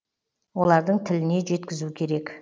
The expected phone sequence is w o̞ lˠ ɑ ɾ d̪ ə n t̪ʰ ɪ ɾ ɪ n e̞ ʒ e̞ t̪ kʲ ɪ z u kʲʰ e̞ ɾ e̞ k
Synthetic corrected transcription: w o̞ lˠ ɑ ɾ d̪ ə ɴ t̪ʰ ɪ l ɪ n e̞ ʒ e̞ t̪ kʲ ɪ z u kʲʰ e̞ ɾ e̞ k